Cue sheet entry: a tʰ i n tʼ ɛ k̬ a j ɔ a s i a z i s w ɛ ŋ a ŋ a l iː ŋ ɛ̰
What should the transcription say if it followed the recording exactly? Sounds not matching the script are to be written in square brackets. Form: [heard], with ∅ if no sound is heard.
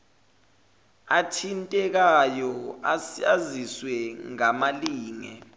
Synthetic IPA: a tʰ i n tʼ ɛ k̬ a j ɔ a s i a z i s w ɛ ŋ a [m] a l iː ŋ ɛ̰

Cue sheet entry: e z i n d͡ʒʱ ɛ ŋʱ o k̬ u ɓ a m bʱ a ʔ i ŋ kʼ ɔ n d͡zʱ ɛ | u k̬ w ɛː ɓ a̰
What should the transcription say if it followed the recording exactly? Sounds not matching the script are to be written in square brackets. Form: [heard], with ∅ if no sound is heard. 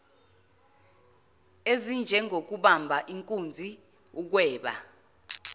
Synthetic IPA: e z i n d͡ʒʱ ɛ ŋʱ o k̬ u ɓ a m bʱ a ʔ i ŋ kʼ [u] n d͡zʱ [i] | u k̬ w ɛː ɓ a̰

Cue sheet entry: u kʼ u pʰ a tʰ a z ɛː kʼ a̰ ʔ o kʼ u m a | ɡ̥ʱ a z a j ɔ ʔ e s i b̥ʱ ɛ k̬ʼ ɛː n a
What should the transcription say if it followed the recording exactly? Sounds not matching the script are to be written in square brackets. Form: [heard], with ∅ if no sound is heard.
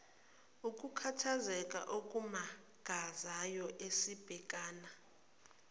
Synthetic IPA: u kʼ u [kʰ] a tʰ a z [ɛ] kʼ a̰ ʔ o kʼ u m a | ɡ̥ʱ a z a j ɔ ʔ e s i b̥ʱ ɛ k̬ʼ [aː] n a

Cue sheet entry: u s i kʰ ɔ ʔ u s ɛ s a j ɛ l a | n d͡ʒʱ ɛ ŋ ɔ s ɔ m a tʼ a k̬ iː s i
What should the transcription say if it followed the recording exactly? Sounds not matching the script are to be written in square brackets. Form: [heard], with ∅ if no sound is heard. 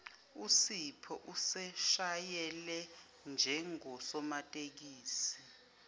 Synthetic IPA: u s i [pʰ] ɔ ʔ u s ɛ [ʃ] a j ɛ l [ɛ] | n d͡ʒʱ ɛ ŋ ɔ s ɔ m a tʼ [e] k̬ iː s i

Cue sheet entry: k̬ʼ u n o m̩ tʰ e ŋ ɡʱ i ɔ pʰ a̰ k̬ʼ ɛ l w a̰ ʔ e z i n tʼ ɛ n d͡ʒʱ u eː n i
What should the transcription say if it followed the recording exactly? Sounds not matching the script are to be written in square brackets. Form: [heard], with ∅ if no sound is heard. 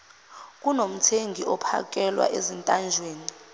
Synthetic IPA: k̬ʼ u n o m̩ tʰ e ŋ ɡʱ i ɔ pʰ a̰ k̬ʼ ɛ l w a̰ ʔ e z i n tʼ [a] n d͡ʒʱ [w] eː n i

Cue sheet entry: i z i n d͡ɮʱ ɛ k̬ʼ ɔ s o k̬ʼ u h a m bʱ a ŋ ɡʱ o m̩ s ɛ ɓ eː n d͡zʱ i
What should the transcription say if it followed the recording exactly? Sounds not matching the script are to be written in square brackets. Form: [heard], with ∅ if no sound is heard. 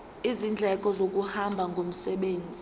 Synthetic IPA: i z i n d͡ɮʱ ɛ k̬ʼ ɔ [z] o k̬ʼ u h a m bʱ a ŋ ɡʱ o m̩ s ɛ ɓ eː n d͡zʱ i

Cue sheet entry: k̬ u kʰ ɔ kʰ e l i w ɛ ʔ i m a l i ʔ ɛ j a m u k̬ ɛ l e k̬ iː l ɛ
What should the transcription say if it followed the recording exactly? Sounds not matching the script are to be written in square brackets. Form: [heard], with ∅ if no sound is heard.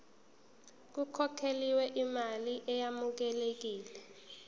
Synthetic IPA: k̬ u kʰ ɔ kʰ e l i w ɛ ʔ i m a l i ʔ ɛ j a m u k̬ ɛ l e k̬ iː l ɛ

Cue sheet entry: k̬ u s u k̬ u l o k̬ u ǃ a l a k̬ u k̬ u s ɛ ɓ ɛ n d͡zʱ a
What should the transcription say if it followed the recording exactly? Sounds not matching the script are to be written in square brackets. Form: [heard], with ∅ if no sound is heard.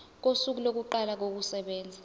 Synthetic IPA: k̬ [o] s u k̬ u l o k̬ u ǃ a l a k̬ [o] k̬ u s ɛ ɓ [ɛː] n d͡zʱ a

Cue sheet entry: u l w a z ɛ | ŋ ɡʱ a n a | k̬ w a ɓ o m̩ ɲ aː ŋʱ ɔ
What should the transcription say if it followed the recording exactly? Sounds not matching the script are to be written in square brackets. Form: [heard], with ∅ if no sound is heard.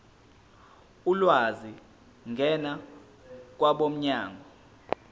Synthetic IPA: u l w a z [i] | ŋ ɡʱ [ɛ] n a | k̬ w a ɓ o m̩ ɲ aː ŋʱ ɔ

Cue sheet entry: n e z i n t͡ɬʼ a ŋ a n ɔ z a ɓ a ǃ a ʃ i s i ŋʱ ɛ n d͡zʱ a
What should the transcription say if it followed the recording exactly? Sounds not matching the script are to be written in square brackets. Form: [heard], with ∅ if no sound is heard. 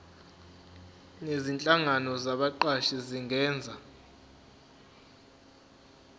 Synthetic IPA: n e z i n t͡ɬʼ a ŋ a n ɔ z a ɓ a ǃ a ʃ i [z] i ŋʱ [ɛː] n d͡zʱ a

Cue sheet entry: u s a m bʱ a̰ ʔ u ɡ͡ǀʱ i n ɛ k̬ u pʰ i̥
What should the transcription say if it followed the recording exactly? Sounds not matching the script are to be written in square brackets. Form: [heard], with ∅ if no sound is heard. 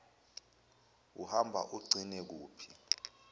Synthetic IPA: u [h] a m bʱ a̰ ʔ u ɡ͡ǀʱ i n ɛ k̬ [uː] pʰ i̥

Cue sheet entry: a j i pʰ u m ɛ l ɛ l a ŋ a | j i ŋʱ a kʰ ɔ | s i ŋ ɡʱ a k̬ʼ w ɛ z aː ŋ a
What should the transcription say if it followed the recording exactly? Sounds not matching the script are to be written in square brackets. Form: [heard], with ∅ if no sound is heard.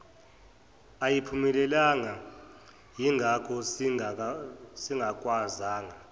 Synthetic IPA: a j i pʰ u m ɛ l ɛ l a ŋ a | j i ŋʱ a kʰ ɔ | s i ŋ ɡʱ a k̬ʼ w [a] z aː ŋ a

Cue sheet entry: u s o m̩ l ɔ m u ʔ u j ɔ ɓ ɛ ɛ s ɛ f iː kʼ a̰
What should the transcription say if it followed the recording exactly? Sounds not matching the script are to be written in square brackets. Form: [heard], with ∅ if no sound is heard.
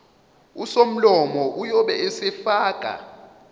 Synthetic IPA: u s o m̩ l ɔ m [ɔ] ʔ u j ɔ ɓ ɛ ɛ s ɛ f [aː] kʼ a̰

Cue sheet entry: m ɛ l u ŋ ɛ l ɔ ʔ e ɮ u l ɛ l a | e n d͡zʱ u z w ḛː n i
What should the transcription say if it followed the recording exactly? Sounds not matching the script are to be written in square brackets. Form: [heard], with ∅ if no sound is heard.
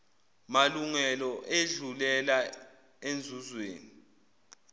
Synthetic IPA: m [a] l u ŋ ɛ l ɔ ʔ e ɮ u l ɛ l a | e n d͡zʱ u z w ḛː n i

